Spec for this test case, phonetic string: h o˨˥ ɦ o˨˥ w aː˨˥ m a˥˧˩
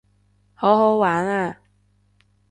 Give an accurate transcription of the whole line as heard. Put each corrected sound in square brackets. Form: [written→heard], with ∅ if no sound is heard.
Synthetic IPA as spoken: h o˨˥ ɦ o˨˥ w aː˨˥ [m→n] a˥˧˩